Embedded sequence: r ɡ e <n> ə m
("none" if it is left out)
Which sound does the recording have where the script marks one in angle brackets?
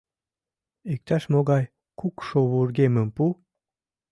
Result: m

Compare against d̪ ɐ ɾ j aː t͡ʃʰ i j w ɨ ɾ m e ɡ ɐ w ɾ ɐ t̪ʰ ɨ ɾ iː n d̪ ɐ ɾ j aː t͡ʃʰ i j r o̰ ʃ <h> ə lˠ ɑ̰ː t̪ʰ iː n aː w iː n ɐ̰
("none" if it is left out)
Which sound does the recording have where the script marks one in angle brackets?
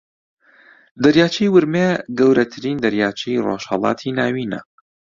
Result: h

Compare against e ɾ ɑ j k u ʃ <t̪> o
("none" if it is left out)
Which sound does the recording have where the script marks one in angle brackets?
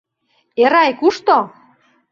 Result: t̪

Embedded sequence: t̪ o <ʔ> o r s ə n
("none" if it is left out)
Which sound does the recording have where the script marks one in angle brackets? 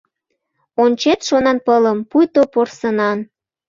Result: p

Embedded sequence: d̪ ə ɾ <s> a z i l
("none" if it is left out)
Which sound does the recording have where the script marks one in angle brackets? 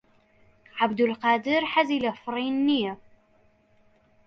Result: ħ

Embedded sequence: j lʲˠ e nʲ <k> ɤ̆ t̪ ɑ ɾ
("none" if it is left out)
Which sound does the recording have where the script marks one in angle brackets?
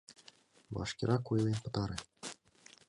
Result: p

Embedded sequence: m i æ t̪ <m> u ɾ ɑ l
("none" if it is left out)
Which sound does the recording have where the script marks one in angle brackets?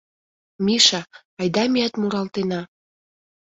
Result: m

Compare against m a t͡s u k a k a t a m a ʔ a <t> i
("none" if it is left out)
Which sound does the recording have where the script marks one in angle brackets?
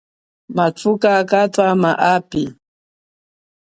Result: p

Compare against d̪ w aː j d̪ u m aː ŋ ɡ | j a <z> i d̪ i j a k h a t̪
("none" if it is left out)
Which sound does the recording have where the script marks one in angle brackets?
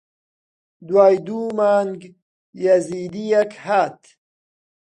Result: z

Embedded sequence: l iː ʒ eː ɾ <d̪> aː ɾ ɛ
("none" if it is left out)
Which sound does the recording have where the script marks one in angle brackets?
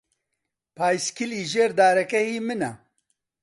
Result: d̪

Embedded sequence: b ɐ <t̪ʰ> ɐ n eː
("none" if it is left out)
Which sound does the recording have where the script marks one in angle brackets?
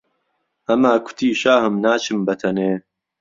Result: t̪ʰ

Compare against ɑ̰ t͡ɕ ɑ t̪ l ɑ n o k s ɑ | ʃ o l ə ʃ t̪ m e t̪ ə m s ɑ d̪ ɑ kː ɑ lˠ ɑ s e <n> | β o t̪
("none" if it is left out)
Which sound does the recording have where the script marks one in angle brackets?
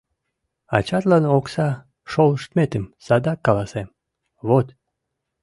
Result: m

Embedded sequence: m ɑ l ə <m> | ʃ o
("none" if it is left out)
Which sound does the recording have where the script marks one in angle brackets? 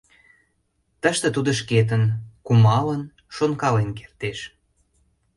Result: n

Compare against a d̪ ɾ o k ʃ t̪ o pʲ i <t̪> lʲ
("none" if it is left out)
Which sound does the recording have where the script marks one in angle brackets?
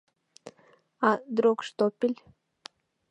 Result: none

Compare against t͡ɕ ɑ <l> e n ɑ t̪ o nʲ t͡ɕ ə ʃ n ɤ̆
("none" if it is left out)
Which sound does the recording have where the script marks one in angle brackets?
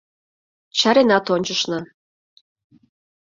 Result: ɾ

